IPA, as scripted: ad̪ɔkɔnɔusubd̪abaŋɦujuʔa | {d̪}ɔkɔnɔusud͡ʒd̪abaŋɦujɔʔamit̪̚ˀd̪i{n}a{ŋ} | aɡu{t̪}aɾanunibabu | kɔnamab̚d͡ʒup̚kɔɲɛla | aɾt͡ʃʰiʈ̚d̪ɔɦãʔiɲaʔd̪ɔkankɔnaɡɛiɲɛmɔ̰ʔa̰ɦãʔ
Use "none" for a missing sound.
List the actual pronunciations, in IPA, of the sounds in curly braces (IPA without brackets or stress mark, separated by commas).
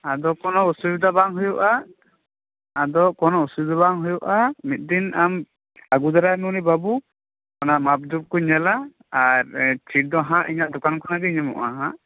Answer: d̪, n, m, d̪